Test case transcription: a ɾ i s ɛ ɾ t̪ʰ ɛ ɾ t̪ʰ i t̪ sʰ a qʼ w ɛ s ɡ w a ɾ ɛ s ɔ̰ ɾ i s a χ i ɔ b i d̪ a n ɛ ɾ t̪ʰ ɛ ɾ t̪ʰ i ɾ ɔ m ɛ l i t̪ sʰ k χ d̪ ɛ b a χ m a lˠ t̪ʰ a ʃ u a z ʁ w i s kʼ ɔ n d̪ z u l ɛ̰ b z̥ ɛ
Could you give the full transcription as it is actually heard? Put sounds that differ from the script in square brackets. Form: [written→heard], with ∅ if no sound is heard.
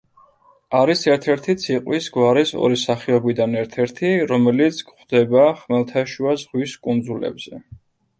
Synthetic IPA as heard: a ɾ i s ɛ ɾ t̪ʰ ɛ ɾ t̪ʰ i t̪ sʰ [a→i] qʼ w [ɛ→i] s ɡ w a ɾ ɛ s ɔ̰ ɾ i s a χ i ɔ b i d̪ a n ɛ ɾ t̪ʰ ɛ ɾ t̪ʰ i ɾ ɔ m ɛ l i t̪ sʰ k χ d̪ ɛ b a χ m [a→ɛ] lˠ t̪ʰ a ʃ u a z ʁ w i s kʼ [ɔ→u] n d̪ z u l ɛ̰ b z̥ ɛ